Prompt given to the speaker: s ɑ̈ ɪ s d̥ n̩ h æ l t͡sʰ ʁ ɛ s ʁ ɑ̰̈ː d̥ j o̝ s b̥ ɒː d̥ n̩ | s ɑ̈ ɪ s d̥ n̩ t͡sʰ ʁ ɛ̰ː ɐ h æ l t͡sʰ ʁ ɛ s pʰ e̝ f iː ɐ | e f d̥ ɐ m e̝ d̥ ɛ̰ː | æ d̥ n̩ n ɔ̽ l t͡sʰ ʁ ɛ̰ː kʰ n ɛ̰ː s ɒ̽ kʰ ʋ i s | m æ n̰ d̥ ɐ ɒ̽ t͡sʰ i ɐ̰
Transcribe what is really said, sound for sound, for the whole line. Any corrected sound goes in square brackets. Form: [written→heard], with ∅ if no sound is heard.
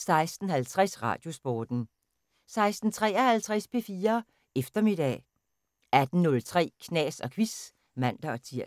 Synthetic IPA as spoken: s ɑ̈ ɪ s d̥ n̩ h æ l t͡sʰ ʁ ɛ s ʁ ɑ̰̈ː d̥ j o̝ s b̥ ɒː d̥ n̩ | s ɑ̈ ɪ s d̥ n̩ t͡sʰ ʁ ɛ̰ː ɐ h æ l t͡sʰ ʁ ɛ s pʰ e̝ f iː ɐ | e f d̥ ɐ m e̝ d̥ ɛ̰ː | æ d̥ n̩ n ɔ̽ l t͡sʰ ʁ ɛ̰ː kʰ n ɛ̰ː s ɒ̽ kʰ ʋ i s | m æ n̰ d̥ ɐ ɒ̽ t͡sʰ i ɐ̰